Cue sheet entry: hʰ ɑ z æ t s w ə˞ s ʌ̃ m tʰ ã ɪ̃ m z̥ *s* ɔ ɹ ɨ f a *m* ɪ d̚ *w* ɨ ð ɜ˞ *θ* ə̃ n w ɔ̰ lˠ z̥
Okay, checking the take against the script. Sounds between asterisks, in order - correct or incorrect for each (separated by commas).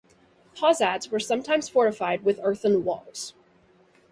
incorrect, incorrect, correct, correct